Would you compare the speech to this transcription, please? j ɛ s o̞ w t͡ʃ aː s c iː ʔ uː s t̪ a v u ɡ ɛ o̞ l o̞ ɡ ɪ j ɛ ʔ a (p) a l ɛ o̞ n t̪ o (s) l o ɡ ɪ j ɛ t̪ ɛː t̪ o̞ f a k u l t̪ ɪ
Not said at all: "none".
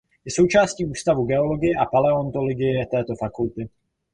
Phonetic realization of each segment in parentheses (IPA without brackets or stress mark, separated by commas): p, none